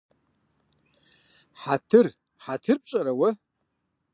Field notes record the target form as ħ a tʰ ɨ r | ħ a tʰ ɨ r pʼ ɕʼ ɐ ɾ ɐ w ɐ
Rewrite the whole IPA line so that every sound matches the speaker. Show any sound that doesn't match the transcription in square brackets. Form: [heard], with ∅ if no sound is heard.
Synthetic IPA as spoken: ħ a tʰ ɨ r | ħ a tʰ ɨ r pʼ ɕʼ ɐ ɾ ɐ w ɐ